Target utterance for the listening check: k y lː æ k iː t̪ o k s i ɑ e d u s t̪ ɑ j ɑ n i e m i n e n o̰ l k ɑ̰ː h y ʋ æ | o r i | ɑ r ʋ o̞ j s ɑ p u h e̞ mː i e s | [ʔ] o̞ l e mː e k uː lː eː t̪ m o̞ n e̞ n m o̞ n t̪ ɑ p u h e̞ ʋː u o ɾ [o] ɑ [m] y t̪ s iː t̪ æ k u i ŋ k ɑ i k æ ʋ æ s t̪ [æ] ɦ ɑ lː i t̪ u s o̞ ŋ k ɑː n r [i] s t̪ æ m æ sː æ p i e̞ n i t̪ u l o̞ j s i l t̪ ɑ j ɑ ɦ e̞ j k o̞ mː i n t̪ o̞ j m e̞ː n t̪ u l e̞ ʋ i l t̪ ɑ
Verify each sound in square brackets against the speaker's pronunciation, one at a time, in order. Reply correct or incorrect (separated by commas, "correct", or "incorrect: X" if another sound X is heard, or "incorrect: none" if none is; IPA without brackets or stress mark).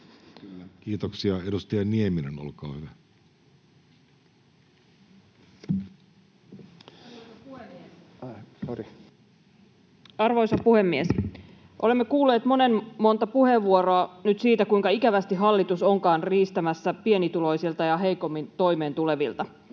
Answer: correct, correct, incorrect: n, incorrect: i, incorrect: iː